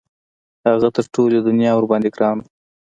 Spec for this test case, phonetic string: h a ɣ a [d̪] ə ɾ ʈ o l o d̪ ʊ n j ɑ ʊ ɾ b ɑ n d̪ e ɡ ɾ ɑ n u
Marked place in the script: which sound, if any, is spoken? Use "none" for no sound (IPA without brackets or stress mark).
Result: t̪